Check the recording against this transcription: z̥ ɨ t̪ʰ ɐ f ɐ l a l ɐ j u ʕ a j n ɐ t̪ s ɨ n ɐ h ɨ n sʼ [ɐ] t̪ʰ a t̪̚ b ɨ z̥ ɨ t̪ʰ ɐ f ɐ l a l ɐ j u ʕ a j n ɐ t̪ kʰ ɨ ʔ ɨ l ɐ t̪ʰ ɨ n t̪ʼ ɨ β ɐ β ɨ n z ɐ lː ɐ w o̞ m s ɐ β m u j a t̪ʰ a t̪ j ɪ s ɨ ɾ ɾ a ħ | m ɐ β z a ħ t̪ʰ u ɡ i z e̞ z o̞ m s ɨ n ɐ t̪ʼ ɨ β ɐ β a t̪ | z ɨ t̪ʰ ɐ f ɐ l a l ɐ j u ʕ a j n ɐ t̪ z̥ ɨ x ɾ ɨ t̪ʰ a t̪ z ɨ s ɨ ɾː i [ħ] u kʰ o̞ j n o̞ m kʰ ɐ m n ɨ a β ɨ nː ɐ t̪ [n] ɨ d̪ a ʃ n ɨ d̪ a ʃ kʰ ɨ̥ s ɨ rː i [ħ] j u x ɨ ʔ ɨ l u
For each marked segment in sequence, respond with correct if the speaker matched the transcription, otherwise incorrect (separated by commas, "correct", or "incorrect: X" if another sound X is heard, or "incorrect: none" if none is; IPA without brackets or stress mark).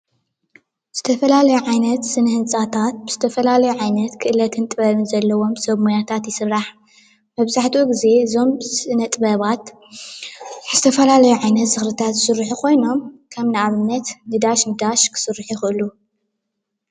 incorrect: a, correct, correct, correct